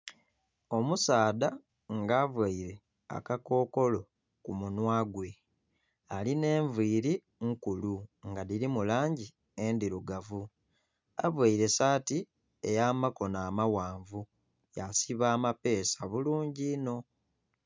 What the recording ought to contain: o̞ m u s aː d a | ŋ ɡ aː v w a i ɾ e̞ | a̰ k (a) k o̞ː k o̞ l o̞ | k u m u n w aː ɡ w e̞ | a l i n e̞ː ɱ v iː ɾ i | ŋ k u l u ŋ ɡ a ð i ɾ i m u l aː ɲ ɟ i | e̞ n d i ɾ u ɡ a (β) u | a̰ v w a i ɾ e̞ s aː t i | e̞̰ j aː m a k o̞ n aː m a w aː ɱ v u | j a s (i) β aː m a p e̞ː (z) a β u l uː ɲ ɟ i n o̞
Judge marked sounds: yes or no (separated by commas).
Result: yes, no, yes, no